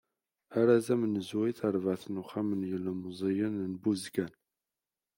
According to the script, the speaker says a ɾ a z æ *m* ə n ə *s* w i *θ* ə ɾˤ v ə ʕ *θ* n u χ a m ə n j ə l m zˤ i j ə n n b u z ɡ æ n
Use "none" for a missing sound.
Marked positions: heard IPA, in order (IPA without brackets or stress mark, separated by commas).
m, z, θ, θ